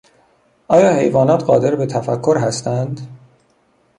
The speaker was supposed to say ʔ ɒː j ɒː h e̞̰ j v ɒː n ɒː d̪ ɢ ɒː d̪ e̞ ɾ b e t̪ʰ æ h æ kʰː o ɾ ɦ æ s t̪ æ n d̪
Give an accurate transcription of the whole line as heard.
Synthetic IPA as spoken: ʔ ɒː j ɒː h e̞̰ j v ɒː n ɒː t̪ ɢ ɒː d̪ e̞ ɾ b e t̪ʰ æ f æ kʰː o ɾ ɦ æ s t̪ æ n d̪

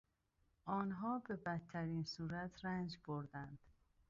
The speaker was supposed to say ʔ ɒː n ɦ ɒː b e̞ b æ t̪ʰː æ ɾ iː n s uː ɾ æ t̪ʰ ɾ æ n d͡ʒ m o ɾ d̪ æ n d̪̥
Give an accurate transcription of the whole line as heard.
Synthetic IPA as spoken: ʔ ɒː n ɦ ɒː b e̞ b æ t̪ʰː æ ɾ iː n s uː ɾ æ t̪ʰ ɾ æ n d͡ʒ b o ɾ d̪ æ n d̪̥

